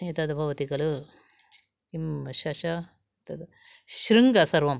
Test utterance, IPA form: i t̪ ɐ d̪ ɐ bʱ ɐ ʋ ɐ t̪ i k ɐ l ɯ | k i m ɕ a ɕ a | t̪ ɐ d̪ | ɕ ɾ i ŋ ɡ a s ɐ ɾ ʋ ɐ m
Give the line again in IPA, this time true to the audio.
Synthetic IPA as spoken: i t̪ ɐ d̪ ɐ bʱ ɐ ʋ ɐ t̪ i k ɐ l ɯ | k i m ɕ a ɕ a | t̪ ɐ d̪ | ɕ ɾ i ŋ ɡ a s ɐ ɾ ʋ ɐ m